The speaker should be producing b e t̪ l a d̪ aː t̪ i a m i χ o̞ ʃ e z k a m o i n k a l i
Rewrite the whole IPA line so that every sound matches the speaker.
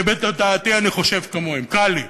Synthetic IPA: b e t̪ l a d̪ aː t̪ i a n i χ o̞ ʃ e v k a m o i m k a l i